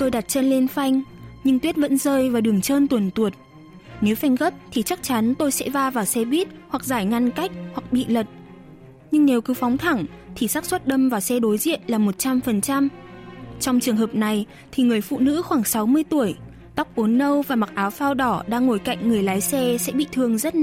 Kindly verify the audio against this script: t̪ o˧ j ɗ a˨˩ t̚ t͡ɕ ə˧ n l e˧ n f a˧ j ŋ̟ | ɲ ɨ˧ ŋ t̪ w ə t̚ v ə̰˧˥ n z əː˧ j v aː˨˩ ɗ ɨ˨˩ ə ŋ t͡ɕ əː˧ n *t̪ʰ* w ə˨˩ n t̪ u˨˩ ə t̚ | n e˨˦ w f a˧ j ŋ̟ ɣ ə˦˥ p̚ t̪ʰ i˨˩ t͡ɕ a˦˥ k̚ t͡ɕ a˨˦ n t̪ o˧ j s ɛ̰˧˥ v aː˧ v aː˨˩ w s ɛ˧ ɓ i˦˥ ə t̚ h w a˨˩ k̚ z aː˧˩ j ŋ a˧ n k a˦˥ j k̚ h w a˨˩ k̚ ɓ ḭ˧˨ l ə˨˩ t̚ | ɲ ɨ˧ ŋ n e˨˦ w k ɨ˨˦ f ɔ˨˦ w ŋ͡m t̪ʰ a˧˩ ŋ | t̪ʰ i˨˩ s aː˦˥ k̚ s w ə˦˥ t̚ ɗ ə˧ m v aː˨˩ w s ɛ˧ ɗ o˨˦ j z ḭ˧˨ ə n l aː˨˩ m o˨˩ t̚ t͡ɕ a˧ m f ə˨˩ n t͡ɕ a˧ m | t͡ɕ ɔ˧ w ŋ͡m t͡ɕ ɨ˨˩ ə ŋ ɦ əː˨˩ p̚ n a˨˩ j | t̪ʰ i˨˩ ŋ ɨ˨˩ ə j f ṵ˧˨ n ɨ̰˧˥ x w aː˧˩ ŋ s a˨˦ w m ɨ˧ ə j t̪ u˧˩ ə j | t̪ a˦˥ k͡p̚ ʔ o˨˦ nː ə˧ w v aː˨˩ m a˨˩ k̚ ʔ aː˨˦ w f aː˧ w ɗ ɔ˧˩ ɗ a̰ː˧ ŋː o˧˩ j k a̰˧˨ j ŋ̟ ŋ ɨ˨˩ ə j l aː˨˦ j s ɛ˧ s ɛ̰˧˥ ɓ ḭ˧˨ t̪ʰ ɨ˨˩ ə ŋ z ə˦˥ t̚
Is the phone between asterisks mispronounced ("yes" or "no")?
yes